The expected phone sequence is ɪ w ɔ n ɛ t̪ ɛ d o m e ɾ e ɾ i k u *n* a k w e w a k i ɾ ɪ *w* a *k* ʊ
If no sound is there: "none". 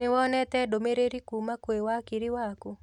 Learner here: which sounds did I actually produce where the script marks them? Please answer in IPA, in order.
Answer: m, w, k

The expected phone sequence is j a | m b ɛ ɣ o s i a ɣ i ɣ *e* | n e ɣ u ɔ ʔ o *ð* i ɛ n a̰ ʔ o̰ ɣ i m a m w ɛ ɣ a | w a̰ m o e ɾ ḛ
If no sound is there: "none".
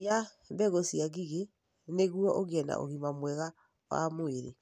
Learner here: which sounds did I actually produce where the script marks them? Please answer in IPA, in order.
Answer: e, ɣ

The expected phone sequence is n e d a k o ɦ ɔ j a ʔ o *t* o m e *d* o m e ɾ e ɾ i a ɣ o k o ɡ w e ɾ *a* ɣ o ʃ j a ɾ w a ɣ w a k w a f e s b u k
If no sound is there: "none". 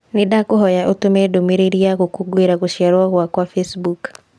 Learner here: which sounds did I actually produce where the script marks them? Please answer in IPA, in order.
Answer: t, d, a

